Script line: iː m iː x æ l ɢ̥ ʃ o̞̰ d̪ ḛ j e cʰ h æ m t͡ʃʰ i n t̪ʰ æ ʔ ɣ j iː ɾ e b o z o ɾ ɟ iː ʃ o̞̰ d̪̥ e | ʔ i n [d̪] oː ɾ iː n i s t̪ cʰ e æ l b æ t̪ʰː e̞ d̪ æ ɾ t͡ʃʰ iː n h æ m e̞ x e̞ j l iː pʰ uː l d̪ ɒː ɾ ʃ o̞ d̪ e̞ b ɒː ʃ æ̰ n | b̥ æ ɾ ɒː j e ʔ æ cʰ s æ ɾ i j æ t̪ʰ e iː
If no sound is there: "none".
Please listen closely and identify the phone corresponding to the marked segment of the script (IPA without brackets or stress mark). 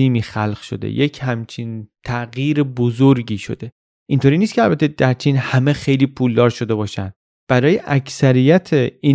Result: t̪